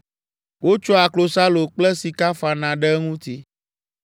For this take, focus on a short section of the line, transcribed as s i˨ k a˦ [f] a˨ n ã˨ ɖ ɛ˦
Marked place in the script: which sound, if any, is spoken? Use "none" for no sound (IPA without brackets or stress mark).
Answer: f